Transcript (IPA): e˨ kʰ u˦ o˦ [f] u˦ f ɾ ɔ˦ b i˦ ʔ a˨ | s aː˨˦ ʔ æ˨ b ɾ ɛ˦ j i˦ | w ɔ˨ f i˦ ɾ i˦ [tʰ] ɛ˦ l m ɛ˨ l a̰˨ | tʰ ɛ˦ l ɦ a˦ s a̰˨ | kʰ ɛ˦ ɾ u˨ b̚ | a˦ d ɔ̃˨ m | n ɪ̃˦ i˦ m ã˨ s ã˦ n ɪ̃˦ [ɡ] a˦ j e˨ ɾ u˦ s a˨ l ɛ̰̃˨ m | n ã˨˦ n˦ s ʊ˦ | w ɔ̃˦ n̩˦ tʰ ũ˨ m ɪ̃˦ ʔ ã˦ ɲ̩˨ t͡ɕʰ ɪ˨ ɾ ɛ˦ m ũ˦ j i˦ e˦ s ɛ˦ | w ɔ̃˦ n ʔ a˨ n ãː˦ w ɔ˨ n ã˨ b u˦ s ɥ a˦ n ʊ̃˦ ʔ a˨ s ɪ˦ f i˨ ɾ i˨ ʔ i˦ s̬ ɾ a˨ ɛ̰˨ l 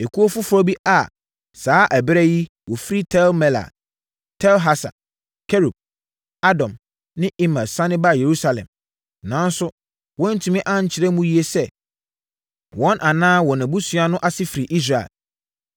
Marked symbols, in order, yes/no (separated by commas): yes, yes, no